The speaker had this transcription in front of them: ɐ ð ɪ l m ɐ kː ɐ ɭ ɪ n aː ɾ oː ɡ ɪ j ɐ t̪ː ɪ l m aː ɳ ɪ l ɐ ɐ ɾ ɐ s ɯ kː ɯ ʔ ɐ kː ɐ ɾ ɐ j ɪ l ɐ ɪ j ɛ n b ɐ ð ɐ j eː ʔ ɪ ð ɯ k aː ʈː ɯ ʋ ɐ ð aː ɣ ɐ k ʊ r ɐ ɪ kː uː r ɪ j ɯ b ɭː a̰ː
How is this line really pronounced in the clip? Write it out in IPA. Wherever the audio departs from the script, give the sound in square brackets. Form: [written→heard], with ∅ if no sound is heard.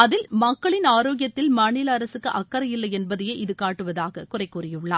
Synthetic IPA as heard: ɐ ð ɪ l m ɐ kː ɐ ɭ ɪ n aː ɾ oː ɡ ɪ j ɐ t̪ː ɪ l m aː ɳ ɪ l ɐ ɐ ɾ ɐ s ɯ kː ɯ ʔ ɐ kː ɐ ɾ ɐ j ɪ [l→lː] ɐ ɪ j ɛ n b ɐ ð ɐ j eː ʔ ɪ ð ɯ k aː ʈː ɯ ʋ ɐ ð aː ɣ ɐ k ʊ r ɐ ɪ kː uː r ɪ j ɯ [b→∅] ɭː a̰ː

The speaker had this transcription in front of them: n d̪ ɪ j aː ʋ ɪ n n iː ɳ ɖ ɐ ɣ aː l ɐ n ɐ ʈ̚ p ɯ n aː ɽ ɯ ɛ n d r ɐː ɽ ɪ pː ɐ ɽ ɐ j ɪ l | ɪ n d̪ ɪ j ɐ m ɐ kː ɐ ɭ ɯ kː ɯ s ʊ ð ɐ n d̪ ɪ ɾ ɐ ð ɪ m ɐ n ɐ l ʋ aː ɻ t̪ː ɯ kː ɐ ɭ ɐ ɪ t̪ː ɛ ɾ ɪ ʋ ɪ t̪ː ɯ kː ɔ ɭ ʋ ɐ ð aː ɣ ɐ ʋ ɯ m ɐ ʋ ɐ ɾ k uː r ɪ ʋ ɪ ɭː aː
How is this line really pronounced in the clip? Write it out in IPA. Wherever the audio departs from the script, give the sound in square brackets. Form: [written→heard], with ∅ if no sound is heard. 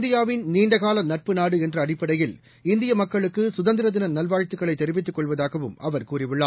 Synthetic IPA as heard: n d̪ ɪ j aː ʋ ɪ n n iː ɳ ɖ ɐ ɣ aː l ɐ n ɐ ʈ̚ p ɯ n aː ɽ ɯ ɛ n d r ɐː ɽ ɪ pː ɐ ɽ ɐ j ɪ l | ɪ n d̪ ɪ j ɐ m ɐ kː ɐ ɭ ɯ kː ɯ s ʊ ð ɐ n d̪ ɪ ɾ ɐ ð ɪ [m→n] ɐ n ɐ l ʋ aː ɻ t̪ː ɯ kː ɐ ɭ ɐ ɪ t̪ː ɛ ɾ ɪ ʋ ɪ t̪ː ɯ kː ɔ ɭ ʋ ɐ ð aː ɣ ɐ ʋ ɯ m ɐ ʋ ɐ ɾ k uː r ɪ ʋ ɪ ɭː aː

